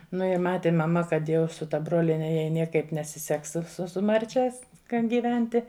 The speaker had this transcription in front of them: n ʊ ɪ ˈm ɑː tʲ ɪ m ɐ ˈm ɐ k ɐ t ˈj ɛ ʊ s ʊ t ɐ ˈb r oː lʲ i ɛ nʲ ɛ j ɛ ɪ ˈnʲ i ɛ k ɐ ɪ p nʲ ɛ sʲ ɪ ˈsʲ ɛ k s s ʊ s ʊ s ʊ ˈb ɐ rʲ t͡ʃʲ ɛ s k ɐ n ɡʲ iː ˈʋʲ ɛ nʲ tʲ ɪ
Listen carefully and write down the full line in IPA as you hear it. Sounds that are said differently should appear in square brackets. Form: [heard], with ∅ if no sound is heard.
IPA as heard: n ʊ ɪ ˈm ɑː tʲ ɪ m ɐ ˈm ɐ k ɐ t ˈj ɛ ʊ s ʊ t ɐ ˈb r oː lʲ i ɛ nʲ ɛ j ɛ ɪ ˈnʲ i ɛ k ɐ ɪ p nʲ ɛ sʲ ɪ ˈsʲ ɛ k s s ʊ s ʊ s ʊ [ˈm] ɐ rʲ t͡ʃʲ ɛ s k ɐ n ɡʲ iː ˈʋʲ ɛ nʲ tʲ ɪ